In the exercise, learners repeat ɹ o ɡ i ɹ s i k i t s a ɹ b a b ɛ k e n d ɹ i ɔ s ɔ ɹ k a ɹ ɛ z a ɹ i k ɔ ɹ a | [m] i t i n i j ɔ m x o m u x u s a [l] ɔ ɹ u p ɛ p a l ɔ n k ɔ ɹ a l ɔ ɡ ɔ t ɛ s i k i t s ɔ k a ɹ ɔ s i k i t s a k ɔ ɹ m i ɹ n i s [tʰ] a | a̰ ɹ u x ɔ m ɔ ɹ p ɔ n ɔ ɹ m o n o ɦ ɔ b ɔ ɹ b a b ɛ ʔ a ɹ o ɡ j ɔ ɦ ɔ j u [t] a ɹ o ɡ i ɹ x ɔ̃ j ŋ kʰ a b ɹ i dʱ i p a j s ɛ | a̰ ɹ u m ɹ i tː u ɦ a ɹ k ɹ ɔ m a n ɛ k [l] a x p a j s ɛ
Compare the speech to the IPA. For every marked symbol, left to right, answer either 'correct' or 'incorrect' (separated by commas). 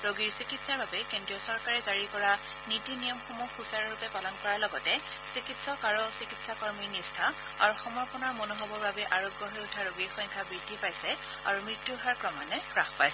incorrect, incorrect, correct, incorrect, incorrect